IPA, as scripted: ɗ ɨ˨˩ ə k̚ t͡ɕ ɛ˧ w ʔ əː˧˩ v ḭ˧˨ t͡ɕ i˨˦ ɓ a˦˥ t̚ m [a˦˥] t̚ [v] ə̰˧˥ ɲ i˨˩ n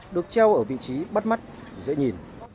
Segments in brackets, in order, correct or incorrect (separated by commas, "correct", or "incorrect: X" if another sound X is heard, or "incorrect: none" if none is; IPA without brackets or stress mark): correct, incorrect: z